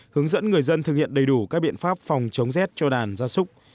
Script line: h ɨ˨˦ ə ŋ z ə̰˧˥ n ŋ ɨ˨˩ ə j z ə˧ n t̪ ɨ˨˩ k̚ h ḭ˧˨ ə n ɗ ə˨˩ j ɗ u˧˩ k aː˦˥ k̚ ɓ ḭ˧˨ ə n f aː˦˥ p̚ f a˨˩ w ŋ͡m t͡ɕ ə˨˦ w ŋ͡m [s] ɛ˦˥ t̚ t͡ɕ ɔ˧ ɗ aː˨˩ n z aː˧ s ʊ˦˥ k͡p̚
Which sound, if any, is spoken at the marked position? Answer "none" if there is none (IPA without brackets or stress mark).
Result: z